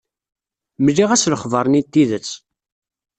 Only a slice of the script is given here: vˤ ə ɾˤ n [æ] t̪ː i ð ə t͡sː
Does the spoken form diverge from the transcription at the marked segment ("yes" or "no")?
yes